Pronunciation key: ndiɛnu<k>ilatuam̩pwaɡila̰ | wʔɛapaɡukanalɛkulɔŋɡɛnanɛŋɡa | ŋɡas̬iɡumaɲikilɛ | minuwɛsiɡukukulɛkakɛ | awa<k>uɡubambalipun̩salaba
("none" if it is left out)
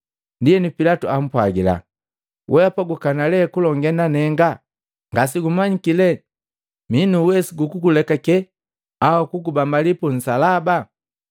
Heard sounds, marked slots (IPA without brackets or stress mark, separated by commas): p, k